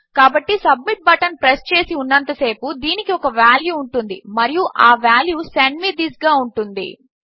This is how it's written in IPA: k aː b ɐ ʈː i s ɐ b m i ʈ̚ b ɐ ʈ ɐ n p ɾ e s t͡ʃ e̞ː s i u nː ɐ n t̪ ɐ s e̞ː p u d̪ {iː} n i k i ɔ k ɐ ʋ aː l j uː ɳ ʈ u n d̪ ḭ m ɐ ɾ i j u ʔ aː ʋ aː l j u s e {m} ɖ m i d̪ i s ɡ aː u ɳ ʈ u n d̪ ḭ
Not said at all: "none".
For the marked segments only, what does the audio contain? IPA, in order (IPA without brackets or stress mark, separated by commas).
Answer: iː, ɳ